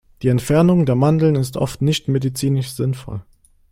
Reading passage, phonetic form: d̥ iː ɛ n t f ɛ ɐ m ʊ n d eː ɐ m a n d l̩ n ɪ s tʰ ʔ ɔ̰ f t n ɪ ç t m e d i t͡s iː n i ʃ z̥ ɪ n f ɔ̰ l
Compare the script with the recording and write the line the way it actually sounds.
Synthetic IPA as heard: d̥ iː ɛ n t f ɛ ɐ n ʊ ŋ d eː ɐ m a n d l̩ n ɪ s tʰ ʔ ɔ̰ f t n ɪ ç t m e d i t͡s iː n ɪ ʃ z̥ ɪ n f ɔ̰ l